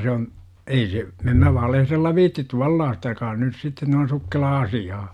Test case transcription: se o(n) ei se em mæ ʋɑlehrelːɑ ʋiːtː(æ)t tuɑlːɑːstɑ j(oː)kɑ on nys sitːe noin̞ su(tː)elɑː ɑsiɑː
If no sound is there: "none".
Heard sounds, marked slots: n, i, o, kː

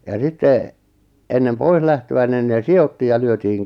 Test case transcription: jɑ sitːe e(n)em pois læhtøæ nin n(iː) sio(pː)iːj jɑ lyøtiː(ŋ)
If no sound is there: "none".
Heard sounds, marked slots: nː, eː, tː, ŋ

